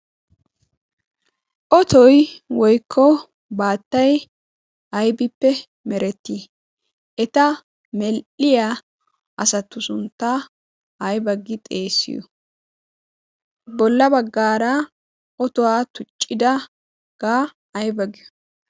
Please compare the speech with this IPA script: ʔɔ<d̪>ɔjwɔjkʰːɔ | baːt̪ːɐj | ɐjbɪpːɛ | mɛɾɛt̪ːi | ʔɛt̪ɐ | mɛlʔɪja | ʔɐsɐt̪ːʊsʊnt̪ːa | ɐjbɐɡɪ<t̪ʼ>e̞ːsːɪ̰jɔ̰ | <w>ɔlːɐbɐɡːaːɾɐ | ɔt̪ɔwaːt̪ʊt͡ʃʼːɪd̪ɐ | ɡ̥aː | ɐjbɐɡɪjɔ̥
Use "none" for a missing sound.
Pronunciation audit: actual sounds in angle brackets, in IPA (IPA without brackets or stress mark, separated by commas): t̪, t̪ʼ, b